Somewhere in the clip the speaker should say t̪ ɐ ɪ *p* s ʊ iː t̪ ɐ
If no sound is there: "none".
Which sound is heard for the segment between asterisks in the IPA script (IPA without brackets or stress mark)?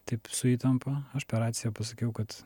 p